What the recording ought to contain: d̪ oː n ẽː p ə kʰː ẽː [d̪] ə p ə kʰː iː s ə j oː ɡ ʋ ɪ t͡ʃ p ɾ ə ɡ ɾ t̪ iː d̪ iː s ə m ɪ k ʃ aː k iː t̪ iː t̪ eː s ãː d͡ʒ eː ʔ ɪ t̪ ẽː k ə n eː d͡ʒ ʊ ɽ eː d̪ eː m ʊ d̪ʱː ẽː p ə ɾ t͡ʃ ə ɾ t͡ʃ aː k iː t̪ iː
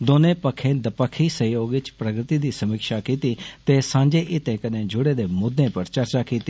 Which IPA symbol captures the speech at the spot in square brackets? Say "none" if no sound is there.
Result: d̪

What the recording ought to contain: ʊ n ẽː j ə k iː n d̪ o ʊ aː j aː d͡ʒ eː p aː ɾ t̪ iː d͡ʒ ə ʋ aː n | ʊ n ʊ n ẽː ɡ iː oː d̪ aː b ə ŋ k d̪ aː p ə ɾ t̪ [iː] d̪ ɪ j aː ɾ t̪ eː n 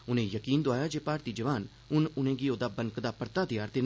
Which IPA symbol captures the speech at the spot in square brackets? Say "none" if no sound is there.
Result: aː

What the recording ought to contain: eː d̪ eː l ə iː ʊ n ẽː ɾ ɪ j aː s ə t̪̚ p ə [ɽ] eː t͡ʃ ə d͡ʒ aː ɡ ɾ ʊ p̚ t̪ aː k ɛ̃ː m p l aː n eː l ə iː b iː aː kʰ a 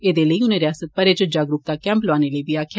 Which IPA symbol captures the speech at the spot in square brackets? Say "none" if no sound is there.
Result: ɾ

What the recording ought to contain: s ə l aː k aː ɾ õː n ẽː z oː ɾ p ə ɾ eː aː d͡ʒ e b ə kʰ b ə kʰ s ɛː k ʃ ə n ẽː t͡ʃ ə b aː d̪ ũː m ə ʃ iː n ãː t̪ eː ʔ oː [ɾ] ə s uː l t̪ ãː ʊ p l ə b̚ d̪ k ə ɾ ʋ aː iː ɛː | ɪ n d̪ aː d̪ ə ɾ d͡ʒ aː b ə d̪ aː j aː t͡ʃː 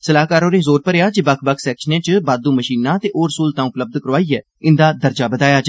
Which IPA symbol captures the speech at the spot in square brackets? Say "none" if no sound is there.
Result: ɾ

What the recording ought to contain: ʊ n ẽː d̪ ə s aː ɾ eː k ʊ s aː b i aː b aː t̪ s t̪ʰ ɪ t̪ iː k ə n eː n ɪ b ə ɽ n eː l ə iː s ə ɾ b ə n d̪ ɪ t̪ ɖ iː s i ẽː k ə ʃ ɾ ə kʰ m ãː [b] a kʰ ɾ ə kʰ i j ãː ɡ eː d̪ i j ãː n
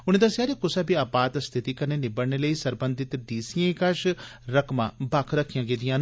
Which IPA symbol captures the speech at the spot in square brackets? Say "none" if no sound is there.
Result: b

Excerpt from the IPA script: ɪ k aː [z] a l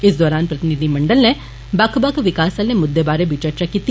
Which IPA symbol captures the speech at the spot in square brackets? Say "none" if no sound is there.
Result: s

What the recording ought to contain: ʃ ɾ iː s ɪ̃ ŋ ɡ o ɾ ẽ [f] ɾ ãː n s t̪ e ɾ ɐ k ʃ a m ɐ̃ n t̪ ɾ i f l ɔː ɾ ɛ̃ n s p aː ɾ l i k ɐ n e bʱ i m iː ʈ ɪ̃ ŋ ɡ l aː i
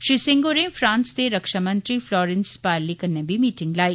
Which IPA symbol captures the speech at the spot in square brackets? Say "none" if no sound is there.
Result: f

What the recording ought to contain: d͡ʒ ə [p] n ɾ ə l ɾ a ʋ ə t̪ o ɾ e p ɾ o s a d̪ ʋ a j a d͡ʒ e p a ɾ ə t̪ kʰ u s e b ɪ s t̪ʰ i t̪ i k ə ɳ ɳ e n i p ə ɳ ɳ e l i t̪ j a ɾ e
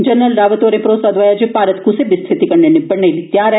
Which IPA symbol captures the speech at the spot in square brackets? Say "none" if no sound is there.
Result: none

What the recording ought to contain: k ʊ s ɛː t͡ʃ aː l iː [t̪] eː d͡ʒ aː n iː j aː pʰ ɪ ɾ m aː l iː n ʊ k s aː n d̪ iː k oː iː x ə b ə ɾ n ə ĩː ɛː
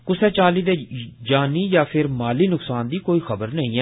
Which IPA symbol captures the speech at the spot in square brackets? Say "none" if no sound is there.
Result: d̪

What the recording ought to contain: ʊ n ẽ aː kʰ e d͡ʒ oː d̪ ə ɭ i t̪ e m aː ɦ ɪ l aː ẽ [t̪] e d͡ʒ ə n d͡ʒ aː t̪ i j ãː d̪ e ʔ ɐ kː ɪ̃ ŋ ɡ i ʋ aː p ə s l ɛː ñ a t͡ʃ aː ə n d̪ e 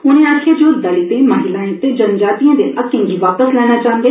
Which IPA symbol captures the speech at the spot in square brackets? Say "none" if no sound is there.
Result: t̪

